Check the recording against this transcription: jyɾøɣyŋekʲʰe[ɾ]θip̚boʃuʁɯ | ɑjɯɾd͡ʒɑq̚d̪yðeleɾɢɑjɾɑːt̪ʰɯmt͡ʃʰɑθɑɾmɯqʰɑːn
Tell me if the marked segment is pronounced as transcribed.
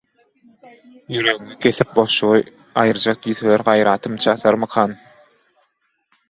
no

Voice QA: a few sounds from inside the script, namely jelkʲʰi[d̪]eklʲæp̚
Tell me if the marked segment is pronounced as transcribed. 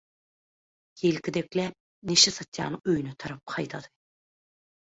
yes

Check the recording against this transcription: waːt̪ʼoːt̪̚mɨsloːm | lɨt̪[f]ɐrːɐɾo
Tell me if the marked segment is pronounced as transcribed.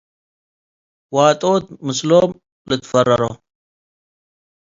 yes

